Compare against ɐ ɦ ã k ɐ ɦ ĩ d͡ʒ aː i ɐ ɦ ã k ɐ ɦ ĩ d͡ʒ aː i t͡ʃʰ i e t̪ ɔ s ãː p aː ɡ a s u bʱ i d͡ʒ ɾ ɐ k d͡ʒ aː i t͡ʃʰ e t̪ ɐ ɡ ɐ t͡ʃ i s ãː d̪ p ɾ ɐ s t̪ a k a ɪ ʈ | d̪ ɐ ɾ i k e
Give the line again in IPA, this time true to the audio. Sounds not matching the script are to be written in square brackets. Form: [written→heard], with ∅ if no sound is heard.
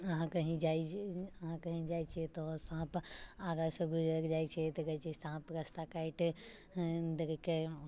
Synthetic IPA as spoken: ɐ ɦ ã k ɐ ɦ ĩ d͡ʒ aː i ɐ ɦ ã k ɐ ɦ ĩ d͡ʒ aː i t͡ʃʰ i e t̪ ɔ s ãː p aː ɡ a s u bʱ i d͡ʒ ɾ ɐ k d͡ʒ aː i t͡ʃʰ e t̪ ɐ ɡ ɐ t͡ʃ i s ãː [d̪→∅] p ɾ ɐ s t̪ a k a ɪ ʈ | d̪ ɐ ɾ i k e